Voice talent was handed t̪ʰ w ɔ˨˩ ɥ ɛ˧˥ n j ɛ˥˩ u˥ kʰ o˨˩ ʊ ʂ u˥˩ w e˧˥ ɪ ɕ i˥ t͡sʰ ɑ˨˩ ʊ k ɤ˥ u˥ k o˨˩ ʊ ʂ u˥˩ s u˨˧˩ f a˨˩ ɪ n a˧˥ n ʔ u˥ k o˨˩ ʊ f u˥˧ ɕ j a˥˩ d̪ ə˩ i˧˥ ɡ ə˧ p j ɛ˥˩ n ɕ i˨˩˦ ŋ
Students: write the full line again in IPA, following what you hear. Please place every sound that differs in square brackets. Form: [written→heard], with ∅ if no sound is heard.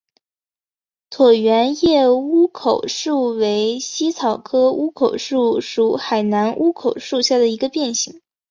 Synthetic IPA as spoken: t̪ʰ w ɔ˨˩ ɥ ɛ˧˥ n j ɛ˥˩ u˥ kʰ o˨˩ ʊ ʂ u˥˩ w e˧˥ ɪ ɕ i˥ t͡sʰ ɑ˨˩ ʊ [k→kʰ] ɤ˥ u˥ [k→kʰ] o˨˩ ʊ ʂ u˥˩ [s→ʂ] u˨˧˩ [f→x] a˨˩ ɪ n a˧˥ n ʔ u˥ [k→kʰ] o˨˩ ʊ [f→ʂ] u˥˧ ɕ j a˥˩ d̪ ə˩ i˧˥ ɡ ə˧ p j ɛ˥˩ n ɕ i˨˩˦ ŋ